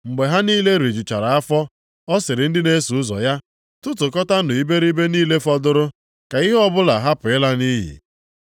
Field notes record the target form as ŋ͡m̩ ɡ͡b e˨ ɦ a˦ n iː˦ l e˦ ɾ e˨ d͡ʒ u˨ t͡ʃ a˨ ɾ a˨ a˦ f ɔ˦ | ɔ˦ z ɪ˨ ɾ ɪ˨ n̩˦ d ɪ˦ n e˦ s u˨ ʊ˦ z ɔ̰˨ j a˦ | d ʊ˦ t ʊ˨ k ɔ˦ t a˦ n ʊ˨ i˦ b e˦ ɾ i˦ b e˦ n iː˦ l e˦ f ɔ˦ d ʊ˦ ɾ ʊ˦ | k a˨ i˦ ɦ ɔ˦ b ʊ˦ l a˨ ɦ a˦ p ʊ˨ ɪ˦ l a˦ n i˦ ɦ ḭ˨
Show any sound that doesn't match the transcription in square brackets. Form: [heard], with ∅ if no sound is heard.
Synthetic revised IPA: ŋ͡m̩ ɡ͡b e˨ ɦ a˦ n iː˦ l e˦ ɾ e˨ d͡ʒ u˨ t͡ʃ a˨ ɾ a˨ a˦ f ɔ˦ | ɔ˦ [s] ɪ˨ ɾ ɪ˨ n̩˦ d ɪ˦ n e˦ s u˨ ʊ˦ z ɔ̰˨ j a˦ | [t] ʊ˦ t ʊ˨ k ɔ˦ t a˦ n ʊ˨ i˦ b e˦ ɾ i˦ b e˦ n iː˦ l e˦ f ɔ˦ d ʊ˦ ɾ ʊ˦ | k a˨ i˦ ɦ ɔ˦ b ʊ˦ l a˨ ɦ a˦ p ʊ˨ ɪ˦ l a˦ n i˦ ɦ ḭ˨

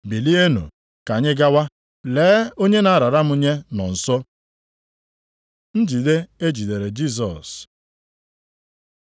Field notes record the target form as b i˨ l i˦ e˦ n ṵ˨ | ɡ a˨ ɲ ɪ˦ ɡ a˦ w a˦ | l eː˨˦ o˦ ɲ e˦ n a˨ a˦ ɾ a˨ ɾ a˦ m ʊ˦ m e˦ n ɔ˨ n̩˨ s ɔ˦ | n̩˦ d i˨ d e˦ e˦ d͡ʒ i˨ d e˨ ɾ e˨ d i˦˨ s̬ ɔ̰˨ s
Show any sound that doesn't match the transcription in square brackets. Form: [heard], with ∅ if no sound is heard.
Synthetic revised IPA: b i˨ l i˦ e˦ n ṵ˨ | [k] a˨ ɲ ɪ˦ ɡ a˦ w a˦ | l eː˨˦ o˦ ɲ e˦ n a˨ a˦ ɾ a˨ ɾ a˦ m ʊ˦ [ɲ] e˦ n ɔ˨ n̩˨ s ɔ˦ | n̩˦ [d͡ʒ] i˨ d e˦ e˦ d͡ʒ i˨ d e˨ ɾ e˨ [d͡ʒ] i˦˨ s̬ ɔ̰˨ s

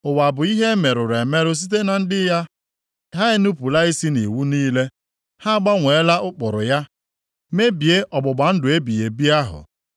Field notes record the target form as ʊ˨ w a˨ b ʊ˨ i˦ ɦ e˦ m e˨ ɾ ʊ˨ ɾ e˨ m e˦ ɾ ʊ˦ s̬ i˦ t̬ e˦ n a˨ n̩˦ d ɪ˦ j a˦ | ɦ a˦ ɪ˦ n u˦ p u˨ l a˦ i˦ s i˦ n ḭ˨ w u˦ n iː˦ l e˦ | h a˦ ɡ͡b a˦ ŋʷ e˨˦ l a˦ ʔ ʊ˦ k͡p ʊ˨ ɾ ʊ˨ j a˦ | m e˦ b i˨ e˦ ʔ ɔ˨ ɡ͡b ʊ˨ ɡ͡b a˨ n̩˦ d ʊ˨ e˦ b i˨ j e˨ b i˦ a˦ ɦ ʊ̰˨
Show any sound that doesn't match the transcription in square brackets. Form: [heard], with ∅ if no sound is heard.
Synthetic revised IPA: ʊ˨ w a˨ b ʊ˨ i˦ ɦ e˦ m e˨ ɾ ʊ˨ ɾ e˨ m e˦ ɾ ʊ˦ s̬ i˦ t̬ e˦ n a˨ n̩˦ d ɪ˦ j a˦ | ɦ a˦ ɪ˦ n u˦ p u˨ l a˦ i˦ s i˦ n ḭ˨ w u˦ n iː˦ l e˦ | h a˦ ɡ͡b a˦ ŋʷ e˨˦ l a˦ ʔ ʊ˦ k͡p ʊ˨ ɾ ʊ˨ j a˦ | m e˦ b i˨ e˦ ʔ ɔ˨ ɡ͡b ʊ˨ ɡ͡b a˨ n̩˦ d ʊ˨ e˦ b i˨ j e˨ b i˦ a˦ ɦ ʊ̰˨

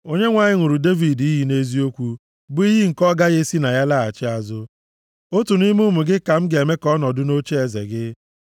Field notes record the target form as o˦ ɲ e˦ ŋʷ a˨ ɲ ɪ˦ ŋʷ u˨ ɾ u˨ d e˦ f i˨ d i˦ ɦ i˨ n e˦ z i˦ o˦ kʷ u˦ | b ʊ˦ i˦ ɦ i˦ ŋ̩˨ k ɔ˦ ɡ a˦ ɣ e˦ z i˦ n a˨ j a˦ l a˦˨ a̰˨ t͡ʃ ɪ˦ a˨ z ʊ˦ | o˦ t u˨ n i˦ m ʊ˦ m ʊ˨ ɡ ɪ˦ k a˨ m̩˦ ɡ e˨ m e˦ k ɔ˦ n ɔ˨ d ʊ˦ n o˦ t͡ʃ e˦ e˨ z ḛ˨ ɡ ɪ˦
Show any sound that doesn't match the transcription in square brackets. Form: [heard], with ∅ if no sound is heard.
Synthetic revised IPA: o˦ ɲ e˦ ŋʷ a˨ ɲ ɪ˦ ŋʷ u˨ ɾ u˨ d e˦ [v] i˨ d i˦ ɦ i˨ n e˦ z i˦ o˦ kʷ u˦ | b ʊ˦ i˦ ɦ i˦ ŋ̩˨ k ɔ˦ ɡ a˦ ɣ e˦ [s] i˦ n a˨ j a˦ l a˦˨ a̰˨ t͡ʃ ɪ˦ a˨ z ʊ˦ | o˦ t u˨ n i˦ m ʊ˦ m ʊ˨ ɡ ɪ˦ k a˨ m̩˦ ɡ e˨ m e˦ k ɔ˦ n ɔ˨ d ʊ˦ n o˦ t͡ʃ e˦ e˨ z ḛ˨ ɡ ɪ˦

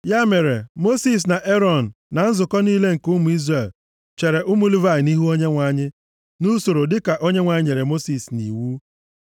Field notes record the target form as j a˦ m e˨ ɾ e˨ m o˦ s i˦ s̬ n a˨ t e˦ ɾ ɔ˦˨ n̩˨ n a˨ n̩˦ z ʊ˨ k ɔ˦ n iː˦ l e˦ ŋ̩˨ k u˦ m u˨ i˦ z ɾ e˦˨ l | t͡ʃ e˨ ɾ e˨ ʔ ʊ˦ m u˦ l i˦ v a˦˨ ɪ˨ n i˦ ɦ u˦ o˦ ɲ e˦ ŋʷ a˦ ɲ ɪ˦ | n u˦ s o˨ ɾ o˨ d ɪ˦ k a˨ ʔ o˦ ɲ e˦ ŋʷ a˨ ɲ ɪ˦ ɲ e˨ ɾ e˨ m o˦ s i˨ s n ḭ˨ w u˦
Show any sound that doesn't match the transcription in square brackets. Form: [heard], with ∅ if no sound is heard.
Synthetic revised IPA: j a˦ m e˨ ɾ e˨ m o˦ s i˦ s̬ n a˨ [ʔ] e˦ ɾ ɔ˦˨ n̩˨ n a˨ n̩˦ z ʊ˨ k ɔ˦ n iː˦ l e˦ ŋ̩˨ k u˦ m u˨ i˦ z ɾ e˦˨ l | t͡ʃ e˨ ɾ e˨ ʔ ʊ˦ m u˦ l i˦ v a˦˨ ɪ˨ n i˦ ɦ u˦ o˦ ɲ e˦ ŋʷ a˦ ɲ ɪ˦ | n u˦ s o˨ ɾ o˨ d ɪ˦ k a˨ ʔ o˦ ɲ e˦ ŋʷ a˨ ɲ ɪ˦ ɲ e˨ ɾ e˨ m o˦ s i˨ s n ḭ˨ w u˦

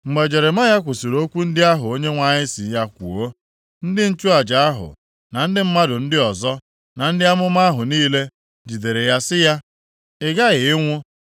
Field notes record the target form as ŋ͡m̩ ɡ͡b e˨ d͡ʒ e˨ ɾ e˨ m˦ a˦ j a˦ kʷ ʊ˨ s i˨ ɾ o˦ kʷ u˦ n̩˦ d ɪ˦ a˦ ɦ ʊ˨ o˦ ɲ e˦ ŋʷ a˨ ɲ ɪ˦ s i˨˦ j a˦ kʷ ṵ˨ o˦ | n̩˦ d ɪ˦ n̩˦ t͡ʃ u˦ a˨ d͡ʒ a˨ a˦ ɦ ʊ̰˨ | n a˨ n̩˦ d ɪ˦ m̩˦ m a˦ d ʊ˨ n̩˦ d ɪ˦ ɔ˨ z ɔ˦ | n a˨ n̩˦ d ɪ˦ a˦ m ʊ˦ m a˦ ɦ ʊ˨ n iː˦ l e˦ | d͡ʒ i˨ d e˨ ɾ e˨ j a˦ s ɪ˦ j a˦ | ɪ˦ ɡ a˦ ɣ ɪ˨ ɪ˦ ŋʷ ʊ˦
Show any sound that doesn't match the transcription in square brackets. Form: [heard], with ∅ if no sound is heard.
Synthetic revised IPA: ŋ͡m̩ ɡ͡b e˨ d͡ʒ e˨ ɾ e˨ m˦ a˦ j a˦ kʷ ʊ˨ s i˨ ɾ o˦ kʷ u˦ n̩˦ d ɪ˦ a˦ ɦ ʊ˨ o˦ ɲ e˦ ŋʷ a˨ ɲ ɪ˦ s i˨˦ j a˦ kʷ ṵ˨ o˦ | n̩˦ d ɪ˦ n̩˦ t͡ʃ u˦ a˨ d͡ʒ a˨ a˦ ɦ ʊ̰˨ | n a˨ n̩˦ d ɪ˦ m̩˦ m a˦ d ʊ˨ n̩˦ d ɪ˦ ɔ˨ z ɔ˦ | n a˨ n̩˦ d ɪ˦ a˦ m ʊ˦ m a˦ ɦ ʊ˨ n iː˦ l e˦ | d͡ʒ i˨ d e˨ ɾ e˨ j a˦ s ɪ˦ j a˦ | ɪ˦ ɡ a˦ ɣ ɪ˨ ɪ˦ ŋʷ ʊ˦

